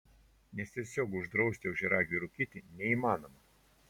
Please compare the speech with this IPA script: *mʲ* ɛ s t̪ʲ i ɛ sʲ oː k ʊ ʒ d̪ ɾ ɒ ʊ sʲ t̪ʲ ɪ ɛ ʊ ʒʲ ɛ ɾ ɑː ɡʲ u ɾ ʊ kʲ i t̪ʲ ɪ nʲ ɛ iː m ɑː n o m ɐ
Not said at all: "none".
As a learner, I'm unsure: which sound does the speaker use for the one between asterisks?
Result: nʲ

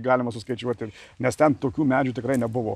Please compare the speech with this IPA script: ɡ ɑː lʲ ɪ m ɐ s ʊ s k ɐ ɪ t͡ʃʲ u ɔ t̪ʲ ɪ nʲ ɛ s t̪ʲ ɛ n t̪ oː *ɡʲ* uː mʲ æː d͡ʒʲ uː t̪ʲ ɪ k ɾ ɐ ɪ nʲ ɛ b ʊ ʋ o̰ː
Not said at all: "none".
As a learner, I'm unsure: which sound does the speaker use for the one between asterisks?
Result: kʲ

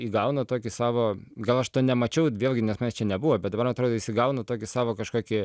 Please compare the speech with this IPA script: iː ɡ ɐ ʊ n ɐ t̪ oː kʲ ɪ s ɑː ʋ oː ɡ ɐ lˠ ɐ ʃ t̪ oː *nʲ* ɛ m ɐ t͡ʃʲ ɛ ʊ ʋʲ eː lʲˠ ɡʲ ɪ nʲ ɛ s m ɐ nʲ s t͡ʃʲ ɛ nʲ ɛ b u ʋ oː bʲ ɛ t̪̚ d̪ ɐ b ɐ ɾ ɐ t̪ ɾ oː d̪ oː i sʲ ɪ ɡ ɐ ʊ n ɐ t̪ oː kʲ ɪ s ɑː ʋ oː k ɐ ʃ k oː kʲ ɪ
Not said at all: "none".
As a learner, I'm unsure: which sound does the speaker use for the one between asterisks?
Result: nʲ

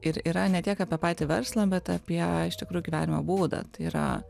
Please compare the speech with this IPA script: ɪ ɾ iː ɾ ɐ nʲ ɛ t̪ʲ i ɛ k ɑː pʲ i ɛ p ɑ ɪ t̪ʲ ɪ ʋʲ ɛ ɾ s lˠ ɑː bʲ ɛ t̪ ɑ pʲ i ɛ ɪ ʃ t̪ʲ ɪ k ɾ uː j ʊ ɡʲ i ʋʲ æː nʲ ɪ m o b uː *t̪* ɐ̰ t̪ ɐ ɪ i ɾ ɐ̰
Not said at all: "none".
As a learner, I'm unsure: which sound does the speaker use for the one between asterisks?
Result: d̪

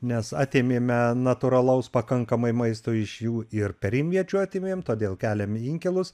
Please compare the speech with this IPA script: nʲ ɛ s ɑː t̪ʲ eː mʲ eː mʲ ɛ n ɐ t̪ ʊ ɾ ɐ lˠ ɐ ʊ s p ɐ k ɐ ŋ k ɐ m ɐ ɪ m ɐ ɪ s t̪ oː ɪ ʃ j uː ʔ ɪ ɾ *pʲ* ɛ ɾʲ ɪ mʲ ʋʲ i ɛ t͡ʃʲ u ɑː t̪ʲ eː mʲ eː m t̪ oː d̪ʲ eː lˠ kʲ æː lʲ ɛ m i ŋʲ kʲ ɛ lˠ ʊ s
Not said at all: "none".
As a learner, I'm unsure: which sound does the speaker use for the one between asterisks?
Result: pʲ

